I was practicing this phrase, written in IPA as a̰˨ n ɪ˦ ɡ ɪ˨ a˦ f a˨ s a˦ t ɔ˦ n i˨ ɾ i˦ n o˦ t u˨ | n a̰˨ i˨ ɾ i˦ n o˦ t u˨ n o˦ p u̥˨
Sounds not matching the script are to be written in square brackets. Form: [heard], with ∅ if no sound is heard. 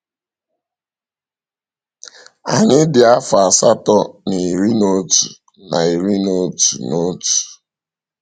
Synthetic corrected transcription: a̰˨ [ɲ] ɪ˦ [d] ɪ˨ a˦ f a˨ s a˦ t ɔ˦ n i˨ ɾ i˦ n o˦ t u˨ | n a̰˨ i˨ ɾ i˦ n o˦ t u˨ n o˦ [t] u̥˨